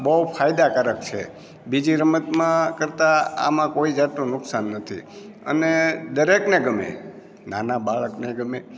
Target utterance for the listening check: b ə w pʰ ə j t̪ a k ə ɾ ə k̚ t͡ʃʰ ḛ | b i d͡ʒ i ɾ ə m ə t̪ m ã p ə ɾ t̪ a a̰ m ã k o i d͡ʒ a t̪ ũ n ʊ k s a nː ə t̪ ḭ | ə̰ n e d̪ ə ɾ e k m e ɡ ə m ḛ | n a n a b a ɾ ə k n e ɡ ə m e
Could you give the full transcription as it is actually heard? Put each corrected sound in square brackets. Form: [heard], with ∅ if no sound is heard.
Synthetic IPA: b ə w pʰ [a] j [d̪] a k ə ɾ ə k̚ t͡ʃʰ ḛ | b i d͡ʒ i ɾ ə m ə t̪ m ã [k] ə ɾ t̪ a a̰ m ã k o i d͡ʒ a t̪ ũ n ʊ k s a nː ə [t̪ʰ] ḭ | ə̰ n e d̪ ə ɾ e k [n] e ɡ ə m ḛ | n a n a b a [ɭ] ə k n e ɡ ə m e